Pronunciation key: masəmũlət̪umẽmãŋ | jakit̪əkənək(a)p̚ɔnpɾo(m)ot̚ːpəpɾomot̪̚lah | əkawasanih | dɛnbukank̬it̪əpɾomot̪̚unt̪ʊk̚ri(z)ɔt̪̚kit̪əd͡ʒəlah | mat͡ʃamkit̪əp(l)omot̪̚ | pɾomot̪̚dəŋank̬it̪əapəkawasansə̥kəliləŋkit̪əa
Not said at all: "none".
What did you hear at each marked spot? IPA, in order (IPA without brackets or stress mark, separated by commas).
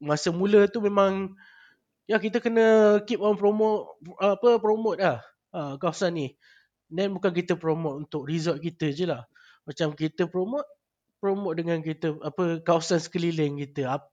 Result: i, m, z, ɾ